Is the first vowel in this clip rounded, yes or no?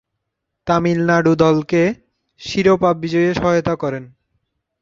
no